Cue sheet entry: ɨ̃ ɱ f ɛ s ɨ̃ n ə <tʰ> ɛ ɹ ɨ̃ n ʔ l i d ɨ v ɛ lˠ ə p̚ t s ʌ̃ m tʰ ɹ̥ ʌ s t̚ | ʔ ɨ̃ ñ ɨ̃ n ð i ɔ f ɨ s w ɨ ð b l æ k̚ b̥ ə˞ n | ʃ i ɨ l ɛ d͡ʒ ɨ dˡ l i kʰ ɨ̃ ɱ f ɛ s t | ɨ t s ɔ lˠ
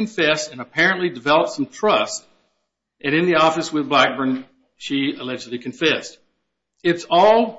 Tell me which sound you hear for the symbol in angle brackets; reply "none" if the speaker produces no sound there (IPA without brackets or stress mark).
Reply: pʰ